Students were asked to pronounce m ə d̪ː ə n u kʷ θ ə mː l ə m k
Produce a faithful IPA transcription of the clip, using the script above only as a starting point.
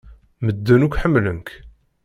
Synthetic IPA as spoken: m ə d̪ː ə n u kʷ ħ ə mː l ə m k